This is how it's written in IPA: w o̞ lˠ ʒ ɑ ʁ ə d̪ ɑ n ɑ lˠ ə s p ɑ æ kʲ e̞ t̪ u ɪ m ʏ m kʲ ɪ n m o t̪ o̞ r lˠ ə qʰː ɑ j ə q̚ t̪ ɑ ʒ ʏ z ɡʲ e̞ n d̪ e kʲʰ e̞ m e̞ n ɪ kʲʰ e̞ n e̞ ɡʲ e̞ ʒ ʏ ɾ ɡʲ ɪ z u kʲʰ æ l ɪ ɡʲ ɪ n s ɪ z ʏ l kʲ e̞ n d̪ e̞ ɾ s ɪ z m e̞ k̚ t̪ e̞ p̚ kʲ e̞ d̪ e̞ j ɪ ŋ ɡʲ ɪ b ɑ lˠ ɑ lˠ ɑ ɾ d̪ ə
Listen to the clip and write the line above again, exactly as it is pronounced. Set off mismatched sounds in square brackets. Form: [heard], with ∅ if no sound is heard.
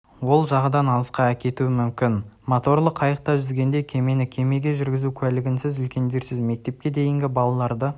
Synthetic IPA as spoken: w o̞ lˠ ʒ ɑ ʁ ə d̪ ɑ n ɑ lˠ ə s [q] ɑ æ kʲ e̞ t̪ u ɪ m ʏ m kʲ ɪ n m o t̪ o̞ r lˠ ə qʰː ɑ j ə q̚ t̪ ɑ ʒ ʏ z ɡʲ e̞ n d̪ e kʲʰ e̞ m e̞ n ɪ kʲʰ e̞ [m] e̞ ɡʲ e̞ ʒ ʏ ɾ ɡʲ ɪ z u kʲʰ æ l ɪ ɡʲ ɪ n s ɪ z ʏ l kʲ e̞ n d̪ e̞ ɾ s ɪ z m e̞ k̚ t̪ e̞ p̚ kʲ e̞ d̪ e̞ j ɪ ŋ ɡʲ ɪ b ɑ lˠ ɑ lˠ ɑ ɾ d̪ ə